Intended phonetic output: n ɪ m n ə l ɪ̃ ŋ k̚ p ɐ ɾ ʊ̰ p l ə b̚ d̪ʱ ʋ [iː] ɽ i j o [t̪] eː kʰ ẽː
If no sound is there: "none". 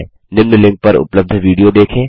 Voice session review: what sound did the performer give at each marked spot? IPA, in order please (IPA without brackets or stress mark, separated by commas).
iː, d̪